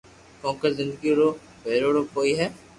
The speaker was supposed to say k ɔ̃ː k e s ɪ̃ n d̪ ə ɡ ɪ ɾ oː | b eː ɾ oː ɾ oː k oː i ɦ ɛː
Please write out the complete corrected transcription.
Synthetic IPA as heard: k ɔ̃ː k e z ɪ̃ n d̪ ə ɡ i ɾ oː | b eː ɾ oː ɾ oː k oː i ɦ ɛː